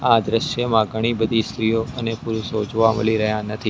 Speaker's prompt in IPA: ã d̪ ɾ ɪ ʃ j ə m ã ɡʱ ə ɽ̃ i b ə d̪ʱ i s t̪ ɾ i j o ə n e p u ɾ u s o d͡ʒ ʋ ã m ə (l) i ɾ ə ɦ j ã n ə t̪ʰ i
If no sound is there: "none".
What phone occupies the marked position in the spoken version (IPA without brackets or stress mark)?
l